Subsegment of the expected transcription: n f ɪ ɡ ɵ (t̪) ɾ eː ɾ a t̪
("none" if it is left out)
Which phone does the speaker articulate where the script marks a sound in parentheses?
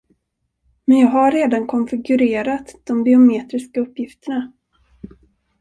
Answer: none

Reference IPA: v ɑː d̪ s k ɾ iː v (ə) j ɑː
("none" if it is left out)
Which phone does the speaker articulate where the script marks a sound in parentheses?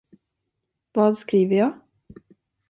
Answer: ə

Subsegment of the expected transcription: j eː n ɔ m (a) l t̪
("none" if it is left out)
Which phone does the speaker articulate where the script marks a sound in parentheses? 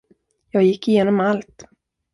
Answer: a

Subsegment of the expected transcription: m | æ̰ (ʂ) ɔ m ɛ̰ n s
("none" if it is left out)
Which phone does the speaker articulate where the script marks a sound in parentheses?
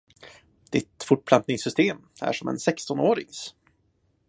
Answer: ʂ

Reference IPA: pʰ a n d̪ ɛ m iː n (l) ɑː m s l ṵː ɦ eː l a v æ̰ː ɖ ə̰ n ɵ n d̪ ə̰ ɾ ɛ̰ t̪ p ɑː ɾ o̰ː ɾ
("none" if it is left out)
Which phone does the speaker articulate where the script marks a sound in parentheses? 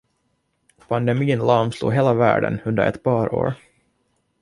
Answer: l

